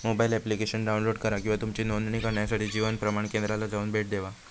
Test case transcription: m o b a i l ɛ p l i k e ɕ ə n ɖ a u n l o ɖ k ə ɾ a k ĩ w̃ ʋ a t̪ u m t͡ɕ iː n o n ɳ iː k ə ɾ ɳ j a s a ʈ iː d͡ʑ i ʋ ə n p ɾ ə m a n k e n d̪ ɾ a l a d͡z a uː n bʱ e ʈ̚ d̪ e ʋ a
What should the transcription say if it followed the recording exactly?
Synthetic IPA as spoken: m o b a i l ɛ p l i k e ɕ ə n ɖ a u n l o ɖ k ə ɾ a k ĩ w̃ ʋ a t̪ u m t͡ɕ iː n o n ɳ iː k ə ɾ ɳ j a s a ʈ iː d͡ʑ i ʋ ə n p ɾ ə m a ɳ k e n d̪ ɾ a l a d͡z a uː n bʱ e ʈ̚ d̪ e ʋ a